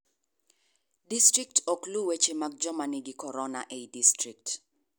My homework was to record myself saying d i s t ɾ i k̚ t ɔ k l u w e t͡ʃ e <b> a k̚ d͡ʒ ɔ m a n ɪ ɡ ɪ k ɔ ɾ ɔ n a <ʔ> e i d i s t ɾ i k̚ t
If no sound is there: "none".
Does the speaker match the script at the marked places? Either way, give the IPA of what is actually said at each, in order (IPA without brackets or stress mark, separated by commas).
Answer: m, ʔ